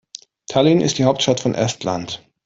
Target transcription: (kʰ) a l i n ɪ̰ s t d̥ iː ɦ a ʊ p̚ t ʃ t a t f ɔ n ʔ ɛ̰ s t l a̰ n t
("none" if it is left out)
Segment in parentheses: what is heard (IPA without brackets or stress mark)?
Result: tʰ